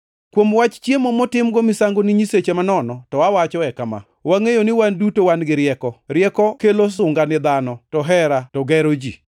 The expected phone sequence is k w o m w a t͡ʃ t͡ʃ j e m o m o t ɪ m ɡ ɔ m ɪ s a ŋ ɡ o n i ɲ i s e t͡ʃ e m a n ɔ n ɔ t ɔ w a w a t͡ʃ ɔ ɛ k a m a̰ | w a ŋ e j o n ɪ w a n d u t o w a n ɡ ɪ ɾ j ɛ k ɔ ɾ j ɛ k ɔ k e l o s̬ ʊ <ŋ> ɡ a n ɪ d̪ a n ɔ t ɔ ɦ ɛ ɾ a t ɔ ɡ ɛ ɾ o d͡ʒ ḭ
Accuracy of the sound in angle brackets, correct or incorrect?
correct